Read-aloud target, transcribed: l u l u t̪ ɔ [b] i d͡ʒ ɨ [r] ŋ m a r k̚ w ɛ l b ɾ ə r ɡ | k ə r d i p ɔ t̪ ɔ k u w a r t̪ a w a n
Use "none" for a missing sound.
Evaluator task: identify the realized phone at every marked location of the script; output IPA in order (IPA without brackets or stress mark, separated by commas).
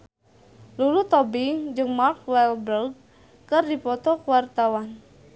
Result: b, none